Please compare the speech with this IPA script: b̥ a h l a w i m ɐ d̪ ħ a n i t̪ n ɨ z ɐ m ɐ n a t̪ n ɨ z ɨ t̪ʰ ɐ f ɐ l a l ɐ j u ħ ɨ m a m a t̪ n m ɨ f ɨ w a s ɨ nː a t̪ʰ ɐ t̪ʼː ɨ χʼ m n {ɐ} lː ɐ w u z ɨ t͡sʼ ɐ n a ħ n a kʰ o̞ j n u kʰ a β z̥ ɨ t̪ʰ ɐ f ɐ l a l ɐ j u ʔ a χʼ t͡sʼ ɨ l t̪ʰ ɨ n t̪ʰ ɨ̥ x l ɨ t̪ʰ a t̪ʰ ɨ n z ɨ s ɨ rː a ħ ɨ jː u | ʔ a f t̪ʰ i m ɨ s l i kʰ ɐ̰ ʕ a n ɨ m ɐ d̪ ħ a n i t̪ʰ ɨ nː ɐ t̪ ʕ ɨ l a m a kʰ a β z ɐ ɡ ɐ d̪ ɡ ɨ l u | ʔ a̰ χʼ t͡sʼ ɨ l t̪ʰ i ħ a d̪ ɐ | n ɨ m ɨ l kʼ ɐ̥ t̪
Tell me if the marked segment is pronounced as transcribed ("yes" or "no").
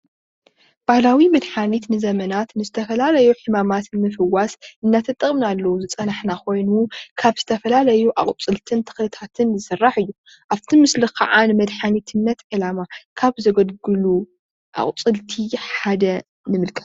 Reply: no